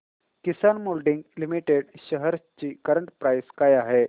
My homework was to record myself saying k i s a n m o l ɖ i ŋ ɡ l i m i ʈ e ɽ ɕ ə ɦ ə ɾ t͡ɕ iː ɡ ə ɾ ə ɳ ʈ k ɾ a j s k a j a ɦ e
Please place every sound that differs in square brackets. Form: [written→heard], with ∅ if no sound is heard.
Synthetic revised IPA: k i s a n m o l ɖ i ŋ ɡ l i m i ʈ e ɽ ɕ ə ɦ ə ɾ t͡ɕ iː [ɡ→k] ə ɾ ə ɳ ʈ [k→p] ɾ a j s k a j a ɦ e